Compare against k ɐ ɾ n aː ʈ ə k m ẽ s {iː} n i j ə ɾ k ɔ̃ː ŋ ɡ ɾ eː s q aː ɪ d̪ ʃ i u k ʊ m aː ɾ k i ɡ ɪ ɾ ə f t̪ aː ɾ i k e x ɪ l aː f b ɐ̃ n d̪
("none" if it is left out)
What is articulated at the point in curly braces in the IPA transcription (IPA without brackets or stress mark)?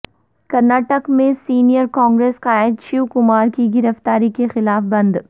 iː